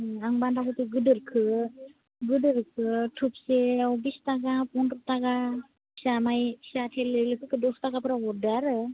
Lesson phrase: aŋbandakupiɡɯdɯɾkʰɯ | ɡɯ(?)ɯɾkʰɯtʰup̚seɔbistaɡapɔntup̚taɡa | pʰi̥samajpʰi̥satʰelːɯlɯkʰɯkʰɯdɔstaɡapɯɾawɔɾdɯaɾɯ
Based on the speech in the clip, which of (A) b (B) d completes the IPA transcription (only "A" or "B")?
B